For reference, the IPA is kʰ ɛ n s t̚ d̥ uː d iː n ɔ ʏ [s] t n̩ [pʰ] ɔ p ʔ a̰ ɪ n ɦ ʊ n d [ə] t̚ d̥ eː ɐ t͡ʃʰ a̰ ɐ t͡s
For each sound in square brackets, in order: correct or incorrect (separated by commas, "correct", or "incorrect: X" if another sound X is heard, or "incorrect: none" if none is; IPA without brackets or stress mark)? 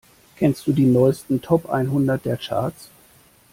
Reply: correct, incorrect: tʰ, incorrect: ɐ